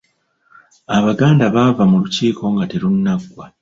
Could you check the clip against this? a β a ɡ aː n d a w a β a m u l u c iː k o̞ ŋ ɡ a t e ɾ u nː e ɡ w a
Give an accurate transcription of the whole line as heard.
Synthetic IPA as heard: a β a ɡ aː n d a β a v a m u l u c iː k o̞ ŋ ɡ a t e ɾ u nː a ɡ w a